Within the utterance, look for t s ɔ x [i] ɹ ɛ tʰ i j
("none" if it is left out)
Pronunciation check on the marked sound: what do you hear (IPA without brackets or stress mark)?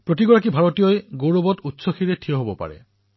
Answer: i